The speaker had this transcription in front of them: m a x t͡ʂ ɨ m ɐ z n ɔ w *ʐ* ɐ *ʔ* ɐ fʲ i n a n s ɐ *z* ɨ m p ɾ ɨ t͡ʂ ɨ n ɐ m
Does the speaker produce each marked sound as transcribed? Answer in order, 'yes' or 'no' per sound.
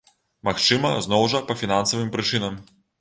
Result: yes, no, no

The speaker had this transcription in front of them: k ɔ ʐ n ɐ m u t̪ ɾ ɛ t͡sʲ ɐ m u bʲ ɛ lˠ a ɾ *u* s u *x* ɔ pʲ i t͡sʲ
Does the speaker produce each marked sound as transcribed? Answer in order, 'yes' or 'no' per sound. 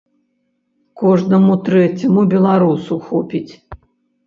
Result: yes, yes

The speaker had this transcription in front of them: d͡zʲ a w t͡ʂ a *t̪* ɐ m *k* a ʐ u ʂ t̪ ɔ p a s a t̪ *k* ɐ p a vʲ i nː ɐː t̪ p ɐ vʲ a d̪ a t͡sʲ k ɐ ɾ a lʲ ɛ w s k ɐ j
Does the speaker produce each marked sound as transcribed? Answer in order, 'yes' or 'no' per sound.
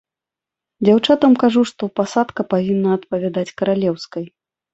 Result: yes, yes, yes

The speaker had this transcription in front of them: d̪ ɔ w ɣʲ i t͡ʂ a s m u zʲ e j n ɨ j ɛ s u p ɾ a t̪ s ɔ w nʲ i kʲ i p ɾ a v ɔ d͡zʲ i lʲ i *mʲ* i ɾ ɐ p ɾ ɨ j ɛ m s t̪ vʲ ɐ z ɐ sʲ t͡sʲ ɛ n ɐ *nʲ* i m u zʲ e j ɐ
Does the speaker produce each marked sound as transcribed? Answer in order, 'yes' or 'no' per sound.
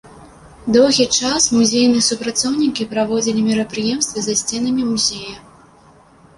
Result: yes, no

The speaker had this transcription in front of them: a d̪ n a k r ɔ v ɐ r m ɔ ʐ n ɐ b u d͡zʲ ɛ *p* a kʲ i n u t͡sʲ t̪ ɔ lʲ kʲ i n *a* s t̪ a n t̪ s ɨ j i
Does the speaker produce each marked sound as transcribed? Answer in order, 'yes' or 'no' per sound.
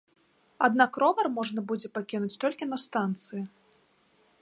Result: yes, no

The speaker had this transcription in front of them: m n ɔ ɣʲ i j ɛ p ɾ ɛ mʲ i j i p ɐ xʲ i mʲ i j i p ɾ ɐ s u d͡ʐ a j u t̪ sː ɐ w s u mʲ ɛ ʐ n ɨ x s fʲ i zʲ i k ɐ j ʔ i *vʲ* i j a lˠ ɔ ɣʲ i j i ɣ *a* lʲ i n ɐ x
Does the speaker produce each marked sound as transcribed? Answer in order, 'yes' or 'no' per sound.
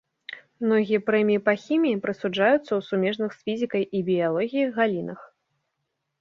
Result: no, yes

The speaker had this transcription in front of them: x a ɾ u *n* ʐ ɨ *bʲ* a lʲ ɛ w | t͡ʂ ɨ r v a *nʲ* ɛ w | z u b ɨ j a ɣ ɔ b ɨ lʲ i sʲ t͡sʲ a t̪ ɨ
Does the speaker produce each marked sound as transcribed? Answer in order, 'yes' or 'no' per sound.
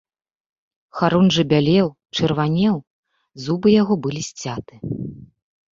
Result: yes, yes, yes

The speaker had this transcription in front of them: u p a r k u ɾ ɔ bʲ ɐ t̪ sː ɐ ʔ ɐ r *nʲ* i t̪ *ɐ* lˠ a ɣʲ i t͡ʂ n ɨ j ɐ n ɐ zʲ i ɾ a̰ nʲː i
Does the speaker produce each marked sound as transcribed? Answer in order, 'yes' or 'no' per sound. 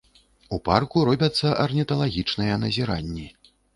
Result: yes, yes

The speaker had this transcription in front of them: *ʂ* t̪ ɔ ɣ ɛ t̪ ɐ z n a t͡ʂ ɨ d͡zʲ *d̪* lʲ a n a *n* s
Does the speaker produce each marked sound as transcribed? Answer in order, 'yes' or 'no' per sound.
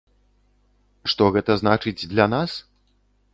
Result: yes, yes, no

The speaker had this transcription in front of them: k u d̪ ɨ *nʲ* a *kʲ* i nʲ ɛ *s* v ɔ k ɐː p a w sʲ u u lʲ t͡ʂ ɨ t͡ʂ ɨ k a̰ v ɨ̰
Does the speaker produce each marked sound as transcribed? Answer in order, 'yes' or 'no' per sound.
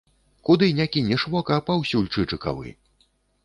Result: yes, yes, no

